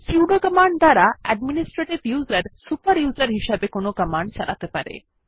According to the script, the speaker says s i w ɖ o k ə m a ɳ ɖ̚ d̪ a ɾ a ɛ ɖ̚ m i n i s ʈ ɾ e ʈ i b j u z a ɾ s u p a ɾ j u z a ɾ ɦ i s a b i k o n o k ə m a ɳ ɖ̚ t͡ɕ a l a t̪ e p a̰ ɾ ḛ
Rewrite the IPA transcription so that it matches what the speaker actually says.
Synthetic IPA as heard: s i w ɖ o k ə m a ɳ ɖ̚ d̪ a ɾ a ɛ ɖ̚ m i n i s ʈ ɾ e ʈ i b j u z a ɾ s u p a ɾ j u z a ɾ ɦ i ʃ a b e k o n o k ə m a ɳ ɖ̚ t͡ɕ a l a t̪ e p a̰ ɾ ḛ